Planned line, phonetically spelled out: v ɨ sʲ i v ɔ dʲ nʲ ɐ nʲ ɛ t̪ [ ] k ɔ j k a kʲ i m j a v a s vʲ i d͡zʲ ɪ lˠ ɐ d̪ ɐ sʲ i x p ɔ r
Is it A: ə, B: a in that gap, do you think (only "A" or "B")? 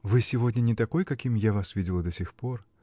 B